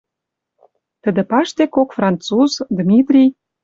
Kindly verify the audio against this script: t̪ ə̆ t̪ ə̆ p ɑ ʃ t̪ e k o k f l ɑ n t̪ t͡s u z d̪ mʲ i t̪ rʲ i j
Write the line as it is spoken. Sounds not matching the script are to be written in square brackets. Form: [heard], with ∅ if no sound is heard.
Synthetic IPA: t̪ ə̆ [d̪] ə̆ p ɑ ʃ t̪ e k o k f [r] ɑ n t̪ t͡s u z d̪ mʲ i t̪ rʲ i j